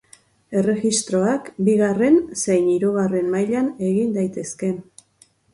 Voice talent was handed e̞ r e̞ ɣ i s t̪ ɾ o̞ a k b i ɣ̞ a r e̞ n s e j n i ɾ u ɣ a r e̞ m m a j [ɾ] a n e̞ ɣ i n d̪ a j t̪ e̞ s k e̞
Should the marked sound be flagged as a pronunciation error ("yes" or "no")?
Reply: yes